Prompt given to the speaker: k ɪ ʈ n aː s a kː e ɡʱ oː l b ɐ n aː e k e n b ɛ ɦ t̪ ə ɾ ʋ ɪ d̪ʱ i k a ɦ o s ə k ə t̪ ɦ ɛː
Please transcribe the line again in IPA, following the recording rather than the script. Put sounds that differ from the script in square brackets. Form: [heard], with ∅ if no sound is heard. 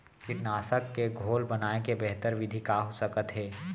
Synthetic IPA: k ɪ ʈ n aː s [ə] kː e ɡʱ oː l b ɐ n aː e k e [∅] b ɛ ɦ t̪ ə ɾ ʋ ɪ d̪ʱ i k a ɦ o s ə k ə t̪ ɦ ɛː